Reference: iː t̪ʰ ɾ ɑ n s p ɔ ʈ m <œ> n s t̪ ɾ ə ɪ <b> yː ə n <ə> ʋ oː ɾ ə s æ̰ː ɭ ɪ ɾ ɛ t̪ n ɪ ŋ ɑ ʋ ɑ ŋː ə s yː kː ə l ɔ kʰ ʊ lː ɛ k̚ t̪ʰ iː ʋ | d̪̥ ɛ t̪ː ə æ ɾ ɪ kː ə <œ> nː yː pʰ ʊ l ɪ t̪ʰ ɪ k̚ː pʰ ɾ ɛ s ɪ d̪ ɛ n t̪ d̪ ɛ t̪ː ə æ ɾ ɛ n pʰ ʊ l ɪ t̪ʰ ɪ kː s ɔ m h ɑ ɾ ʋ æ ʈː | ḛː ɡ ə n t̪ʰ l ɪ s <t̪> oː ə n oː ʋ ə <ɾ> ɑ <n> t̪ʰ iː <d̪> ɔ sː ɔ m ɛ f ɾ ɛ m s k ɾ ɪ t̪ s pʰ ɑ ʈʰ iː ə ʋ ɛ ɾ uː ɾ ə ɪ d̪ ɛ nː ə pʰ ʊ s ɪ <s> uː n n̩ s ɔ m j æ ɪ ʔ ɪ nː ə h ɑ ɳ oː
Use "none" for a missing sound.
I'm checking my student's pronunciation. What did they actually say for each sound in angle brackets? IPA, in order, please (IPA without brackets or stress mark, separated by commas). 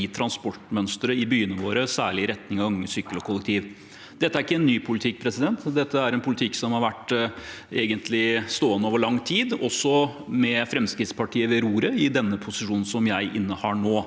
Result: œ, b, ə, ɛ, t̪, ɭ, ŋ, d̪, ʂ